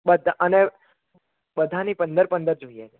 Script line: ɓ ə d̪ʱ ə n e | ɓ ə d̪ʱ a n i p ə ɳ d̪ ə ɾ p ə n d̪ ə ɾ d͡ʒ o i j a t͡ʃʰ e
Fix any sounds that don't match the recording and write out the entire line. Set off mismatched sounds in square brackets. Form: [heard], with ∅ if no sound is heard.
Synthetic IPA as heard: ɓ ə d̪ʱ ə n e | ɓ ə d̪ʱ a n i p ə [n] d̪ ə ɾ p ə n d̪ ə ɾ d͡ʒ o i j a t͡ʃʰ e